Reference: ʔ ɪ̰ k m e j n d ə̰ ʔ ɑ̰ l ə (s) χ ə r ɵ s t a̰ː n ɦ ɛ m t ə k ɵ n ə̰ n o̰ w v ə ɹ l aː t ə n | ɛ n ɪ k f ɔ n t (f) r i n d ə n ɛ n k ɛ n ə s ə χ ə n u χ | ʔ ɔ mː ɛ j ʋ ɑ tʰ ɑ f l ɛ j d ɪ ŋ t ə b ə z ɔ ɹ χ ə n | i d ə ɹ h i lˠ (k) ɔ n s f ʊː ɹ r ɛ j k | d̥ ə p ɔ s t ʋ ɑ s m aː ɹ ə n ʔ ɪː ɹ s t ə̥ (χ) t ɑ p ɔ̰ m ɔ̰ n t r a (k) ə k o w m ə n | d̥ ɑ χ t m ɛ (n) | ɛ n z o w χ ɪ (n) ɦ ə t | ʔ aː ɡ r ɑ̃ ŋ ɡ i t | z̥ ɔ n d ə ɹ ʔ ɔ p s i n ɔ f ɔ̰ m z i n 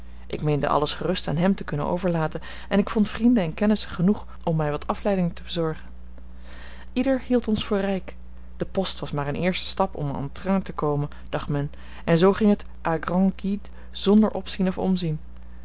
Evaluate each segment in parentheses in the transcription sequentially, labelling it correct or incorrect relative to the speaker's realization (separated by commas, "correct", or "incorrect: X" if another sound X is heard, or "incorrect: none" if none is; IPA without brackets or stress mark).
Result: correct, correct, incorrect: t, incorrect: s, incorrect: t, correct, incorrect: ŋ